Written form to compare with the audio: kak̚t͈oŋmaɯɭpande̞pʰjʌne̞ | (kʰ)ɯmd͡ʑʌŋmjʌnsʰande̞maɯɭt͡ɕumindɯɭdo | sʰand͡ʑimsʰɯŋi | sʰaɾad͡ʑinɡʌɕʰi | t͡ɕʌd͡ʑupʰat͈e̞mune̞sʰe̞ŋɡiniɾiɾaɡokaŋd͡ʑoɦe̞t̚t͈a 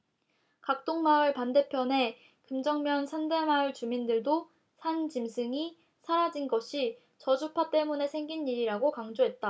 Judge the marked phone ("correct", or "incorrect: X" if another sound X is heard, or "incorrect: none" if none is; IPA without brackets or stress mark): incorrect: k